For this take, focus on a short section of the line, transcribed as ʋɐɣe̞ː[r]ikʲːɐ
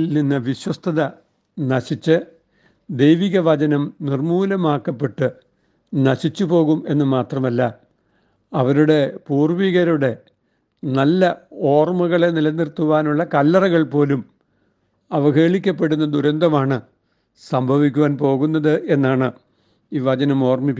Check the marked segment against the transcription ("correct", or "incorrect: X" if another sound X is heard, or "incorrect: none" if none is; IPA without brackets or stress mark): incorrect: ɭ